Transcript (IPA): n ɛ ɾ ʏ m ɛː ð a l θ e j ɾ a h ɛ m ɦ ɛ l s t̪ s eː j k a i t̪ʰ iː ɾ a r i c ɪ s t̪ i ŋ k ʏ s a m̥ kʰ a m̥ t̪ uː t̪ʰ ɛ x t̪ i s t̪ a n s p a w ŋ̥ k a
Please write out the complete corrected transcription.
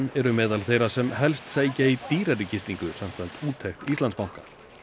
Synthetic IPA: n ɛ ɾ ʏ m ɛː ð a l θ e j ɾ a s ɛ m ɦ ɛ l s t̪ s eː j c a i t̪ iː ɾ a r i c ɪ s t̪ i ŋ k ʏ s a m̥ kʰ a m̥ t̪ uː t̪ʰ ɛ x t̪ i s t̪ a n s p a w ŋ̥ k a